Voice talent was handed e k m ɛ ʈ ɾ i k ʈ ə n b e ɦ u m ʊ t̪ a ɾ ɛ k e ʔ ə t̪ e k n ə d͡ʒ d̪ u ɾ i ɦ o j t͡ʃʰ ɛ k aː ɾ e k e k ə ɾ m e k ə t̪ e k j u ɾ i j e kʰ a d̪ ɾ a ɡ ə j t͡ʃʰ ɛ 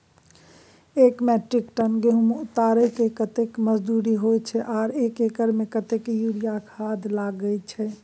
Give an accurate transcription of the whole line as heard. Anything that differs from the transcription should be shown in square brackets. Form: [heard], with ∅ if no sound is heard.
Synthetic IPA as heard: e k m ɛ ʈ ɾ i k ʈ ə n [ɡ] e ɦ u m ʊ t̪ a ɾ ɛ k e [k] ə t̪ e k [m] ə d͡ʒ d̪ u ɾ i ɦ o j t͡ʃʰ ɛ [ʔ] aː ɾ e k e k ə ɾ m e k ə t̪ e k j u ɾ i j [a] kʰ a d̪ [l] a ɡ ə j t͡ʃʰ ɛ

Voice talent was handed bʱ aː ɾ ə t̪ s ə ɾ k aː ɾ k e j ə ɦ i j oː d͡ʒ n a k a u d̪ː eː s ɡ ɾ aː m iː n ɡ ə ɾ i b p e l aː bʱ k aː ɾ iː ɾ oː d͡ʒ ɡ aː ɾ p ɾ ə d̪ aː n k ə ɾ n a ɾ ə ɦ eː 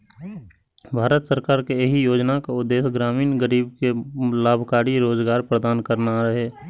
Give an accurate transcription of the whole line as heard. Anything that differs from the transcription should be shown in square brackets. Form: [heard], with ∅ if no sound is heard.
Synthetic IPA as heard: bʱ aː ɾ ə t̪ s ə ɾ k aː ɾ k e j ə ɦ i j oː d͡ʒ n a k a [ʊ] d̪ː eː s ɡ ɾ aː m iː n ɡ ə ɾ [iː] b [k] e l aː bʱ k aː ɾ [i] ɾ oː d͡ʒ ɡ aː ɾ p ɾ ə d̪ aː n k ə ɾ n a ɾ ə ɦ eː

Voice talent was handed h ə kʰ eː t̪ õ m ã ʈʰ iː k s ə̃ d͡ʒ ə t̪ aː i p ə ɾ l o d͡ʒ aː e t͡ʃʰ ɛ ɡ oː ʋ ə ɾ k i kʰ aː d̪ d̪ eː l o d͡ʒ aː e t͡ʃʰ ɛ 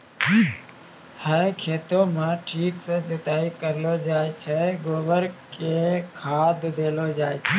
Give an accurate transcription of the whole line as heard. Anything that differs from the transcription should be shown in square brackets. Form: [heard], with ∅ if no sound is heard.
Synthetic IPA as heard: h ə kʰ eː t̪ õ m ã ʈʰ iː k s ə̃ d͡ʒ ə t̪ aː i [k] ə ɾ l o d͡ʒ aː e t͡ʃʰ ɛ ɡ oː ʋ ə ɾ k [e] kʰ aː d̪ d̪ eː l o d͡ʒ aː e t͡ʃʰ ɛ

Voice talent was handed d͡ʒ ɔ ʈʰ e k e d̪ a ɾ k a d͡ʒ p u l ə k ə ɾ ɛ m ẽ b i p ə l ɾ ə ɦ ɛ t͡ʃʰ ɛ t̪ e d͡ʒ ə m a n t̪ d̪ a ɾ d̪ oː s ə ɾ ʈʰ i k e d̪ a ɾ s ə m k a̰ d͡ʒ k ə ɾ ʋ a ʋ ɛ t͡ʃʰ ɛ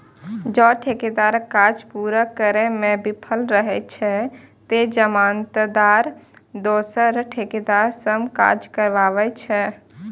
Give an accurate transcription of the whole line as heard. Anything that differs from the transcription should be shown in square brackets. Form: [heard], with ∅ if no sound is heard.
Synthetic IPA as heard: d͡ʒ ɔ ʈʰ e k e d̪ a ɾ k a d͡ʒ p u [ɾ] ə k ə ɾ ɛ m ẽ b i [pʰ] ə l ɾ ə ɦ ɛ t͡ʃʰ ɛ t̪ e d͡ʒ ə m a n t̪ d̪ a ɾ d̪ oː s ə ɾ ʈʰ [e] k e d̪ a ɾ s ə m k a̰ d͡ʒ k ə ɾ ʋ a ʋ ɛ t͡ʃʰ ɛ

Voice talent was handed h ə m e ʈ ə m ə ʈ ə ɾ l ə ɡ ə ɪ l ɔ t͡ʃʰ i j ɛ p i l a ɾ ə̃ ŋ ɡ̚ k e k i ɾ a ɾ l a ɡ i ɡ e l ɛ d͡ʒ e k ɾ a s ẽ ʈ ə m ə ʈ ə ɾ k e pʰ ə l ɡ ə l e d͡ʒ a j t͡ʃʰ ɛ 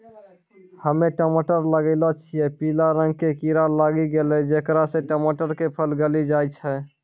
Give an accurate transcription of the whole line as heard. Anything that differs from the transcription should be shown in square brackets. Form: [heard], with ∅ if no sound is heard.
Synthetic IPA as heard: h ə m e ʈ ə m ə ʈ ə ɾ l ə ɡ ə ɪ l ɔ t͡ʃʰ i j ɛ p i l a ɾ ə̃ ŋ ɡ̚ k e k i ɾ a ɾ l a ɡ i ɡ e l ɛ d͡ʒ e k ɾ a s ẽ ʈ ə m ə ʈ ə ɾ k e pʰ ə l ɡ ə l [i] d͡ʒ a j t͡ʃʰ ɛ

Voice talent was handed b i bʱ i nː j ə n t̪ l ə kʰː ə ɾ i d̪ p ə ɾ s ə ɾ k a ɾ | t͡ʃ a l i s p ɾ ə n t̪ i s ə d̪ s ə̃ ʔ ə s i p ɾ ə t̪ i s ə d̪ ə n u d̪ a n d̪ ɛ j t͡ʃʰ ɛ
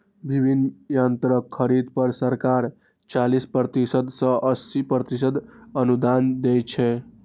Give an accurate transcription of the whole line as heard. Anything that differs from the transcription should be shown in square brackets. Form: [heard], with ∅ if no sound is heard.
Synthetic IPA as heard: b i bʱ i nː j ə n t̪ [ɾ] ə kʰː ə ɾ i d̪ p ə ɾ s ə ɾ k a ɾ | t͡ʃ a l i s p ɾ ə [∅] t̪ i s ə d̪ s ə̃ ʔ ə s i p ɾ ə t̪ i s ə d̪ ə n u d̪ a n d̪ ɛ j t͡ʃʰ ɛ

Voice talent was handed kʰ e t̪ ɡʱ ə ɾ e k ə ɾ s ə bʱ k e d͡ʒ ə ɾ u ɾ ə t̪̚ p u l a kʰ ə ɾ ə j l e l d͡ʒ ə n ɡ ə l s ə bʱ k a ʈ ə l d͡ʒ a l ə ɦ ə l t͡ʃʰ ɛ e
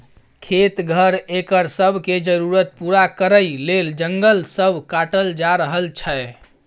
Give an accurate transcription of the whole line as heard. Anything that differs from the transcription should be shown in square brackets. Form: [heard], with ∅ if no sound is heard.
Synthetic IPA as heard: kʰ e t̪ ɡʱ ə ɾ e k ə ɾ s ə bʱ k e d͡ʒ ə ɾ u ɾ ə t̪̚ p u [ɾ] a [k] ə ɾ ə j l e l d͡ʒ ə [ŋ] ɡ ə l s ə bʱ k a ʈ ə l d͡ʒ a [ɾ] ə ɦ ə l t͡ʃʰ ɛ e

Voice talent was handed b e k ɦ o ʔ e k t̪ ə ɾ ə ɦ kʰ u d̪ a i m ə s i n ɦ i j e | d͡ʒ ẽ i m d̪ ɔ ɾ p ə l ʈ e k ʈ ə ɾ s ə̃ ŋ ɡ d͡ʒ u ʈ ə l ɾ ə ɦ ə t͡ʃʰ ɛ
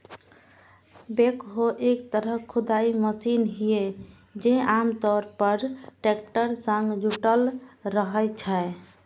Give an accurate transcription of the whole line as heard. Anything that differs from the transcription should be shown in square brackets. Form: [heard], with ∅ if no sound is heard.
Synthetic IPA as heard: b e k ɦ o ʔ e k t̪ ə ɾ ə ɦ kʰ u d̪ a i m ə s i n ɦ i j e | d͡ʒ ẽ [a] m [t̪] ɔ ɾ p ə [ɾ] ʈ e k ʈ ə ɾ s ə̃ ŋ ɡ d͡ʒ u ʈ ə l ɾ ə ɦ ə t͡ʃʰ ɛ

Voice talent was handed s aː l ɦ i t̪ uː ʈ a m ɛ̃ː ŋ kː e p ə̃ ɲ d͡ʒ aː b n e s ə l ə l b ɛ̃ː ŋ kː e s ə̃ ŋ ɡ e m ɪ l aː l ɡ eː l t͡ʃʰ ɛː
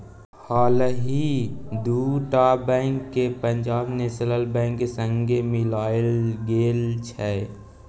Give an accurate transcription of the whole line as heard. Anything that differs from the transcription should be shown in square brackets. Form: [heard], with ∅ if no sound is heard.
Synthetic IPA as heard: [h] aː l ɦ i [d̪] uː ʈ a [b] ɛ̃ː ŋ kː e p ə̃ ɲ d͡ʒ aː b n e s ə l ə l b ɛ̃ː ŋ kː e s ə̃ ŋ ɡ e m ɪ l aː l ɡ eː l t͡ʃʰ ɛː

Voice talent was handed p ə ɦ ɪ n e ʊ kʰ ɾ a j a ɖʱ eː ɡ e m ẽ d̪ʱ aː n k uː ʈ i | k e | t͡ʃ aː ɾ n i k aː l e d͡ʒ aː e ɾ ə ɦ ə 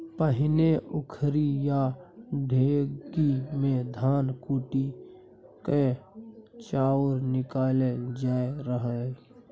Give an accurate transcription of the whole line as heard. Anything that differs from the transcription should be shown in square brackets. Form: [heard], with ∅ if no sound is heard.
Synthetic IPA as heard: p ə ɦ ɪ n e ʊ kʰ ɾ [i] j a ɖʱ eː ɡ [i] m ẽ d̪ʱ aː n k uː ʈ i | k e | t͡ʃ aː ɾ n [ɪ] k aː l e d͡ʒ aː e ɾ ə ɦ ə

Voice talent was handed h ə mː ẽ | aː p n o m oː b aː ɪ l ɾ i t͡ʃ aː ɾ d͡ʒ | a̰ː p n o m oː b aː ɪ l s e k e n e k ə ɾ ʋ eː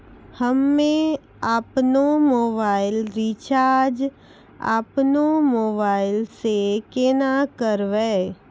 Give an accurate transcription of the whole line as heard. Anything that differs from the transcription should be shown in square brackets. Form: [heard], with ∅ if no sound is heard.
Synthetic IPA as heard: h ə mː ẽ | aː p n o m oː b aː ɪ l ɾ i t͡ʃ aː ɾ d͡ʒ | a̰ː p n o m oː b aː ɪ l s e k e n [a] k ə ɾ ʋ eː

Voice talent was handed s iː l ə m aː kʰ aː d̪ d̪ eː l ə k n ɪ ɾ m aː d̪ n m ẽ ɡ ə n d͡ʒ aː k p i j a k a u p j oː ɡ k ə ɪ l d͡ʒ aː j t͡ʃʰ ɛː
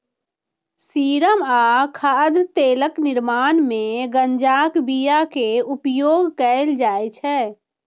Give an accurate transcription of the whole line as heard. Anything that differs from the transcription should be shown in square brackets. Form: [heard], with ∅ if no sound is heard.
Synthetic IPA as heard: s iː [ɾ] ə m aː kʰ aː d̪ [t̪] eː l ə k n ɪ ɾ m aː [∅] n m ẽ ɡ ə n d͡ʒ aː k [b] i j a k [e] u p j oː ɡ k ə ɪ l d͡ʒ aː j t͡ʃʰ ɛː

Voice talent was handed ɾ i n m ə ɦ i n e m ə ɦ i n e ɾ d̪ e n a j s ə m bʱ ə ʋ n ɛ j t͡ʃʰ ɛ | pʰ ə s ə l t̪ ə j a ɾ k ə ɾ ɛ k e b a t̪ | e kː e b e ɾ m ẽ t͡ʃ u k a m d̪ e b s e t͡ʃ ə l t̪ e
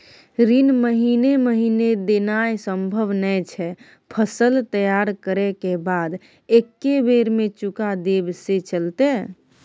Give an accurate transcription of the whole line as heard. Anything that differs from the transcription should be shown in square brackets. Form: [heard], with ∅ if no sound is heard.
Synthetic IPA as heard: ɾ i n m ə ɦ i n e m ə ɦ i n e [∅] d̪ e n a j s ə m bʱ ə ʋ n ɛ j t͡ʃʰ ɛ | pʰ ə s ə l t̪ ə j a ɾ k ə ɾ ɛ k e b a [d̪] | e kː e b e ɾ m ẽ t͡ʃ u k a [∅] d̪ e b s e t͡ʃ ə l t̪ e

